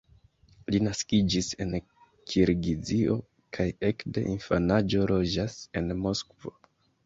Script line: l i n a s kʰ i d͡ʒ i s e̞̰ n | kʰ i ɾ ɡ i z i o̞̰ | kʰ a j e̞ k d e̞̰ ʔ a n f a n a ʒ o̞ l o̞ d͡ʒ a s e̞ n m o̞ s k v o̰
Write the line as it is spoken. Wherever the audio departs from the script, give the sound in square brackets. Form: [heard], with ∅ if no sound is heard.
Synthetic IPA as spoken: l i n a s [k] i d͡ʒ i s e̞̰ n | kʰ i ɾ ɡ i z i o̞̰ | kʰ a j e̞ k d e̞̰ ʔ [i] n f a n a [d͡ʒ] o̞ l o̞ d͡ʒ a s e̞ n m o̞ s k v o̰